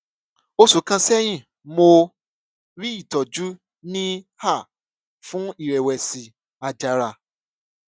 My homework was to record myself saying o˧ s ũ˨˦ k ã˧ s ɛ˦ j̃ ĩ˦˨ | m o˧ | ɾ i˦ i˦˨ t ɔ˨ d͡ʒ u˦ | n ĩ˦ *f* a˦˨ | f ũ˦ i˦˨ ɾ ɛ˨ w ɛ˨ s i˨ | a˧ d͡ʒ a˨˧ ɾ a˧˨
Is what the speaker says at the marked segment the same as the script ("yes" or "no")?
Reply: no